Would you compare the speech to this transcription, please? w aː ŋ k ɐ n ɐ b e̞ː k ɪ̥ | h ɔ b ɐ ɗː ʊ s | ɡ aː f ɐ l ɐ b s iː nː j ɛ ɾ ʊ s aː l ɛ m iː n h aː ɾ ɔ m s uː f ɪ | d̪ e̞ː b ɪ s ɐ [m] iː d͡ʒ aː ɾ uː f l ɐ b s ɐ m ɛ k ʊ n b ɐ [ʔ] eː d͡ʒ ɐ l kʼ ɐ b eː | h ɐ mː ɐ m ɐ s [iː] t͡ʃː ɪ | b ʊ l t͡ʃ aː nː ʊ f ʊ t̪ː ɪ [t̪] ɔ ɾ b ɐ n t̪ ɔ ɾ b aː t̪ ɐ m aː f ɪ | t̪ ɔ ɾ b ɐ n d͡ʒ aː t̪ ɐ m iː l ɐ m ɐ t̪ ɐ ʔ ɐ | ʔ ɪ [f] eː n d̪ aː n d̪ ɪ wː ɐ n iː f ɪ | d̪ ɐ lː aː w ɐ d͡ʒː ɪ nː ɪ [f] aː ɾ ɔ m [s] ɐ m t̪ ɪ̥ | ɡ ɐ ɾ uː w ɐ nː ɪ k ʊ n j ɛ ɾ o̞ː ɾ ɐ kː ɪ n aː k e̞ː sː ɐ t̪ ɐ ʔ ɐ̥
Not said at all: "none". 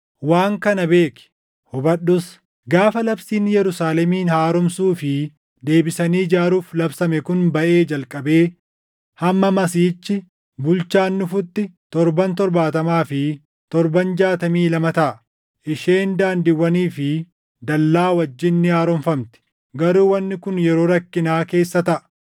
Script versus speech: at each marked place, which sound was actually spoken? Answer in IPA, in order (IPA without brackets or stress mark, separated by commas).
n, ʔ, iː, t̪, ʃ, h, f